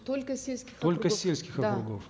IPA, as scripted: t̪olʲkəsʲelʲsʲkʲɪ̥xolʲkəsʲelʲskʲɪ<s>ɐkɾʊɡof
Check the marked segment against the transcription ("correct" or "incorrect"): incorrect